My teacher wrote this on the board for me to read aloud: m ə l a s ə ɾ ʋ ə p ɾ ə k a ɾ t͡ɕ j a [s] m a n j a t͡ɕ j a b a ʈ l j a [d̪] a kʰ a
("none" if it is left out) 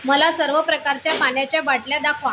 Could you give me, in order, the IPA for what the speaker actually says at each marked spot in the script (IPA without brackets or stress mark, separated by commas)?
none, d̪